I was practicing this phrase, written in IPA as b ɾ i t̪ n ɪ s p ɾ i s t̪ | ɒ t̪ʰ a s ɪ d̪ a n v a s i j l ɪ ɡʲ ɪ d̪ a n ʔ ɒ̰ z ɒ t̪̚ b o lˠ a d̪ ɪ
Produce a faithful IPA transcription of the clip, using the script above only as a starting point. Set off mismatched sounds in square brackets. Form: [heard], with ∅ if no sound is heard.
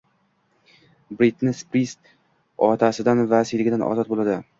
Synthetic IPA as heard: b ɾ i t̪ n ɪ s p ɾ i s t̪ | ɒ t̪ʰ a s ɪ d̪ a n v a s i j l ɪ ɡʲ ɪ d̪ a n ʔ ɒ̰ z ɒ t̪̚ b o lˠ a d̪ ɪ